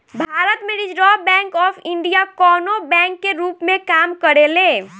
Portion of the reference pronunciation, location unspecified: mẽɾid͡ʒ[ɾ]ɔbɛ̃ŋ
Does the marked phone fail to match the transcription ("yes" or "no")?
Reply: no